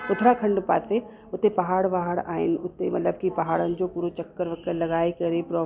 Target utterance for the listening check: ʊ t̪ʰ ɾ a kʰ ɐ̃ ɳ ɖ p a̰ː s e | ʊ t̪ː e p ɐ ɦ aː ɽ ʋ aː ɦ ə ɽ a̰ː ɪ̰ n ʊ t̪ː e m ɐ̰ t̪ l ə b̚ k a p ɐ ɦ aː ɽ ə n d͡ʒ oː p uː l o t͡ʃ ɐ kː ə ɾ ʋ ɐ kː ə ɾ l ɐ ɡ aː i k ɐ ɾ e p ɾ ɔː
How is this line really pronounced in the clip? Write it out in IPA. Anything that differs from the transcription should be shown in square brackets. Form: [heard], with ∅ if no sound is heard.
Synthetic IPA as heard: ʊ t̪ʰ ɾ a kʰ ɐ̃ ɳ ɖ p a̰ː s e | ʊ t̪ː e p ɐ ɦ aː ɽ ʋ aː ɦ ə ɽ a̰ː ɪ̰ n ʊ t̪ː e m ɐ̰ t̪ l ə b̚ k [i] p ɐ ɦ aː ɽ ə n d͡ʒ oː p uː [ɾ] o t͡ʃ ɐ kː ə ɾ ʋ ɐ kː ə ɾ l ɐ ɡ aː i k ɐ ɾ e p ɾ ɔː